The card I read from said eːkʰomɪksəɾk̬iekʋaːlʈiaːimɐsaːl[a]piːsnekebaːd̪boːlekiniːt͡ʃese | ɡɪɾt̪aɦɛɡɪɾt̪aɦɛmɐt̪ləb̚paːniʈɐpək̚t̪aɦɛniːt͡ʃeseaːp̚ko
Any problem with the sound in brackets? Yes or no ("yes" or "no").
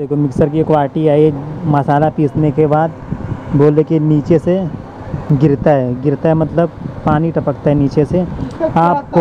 no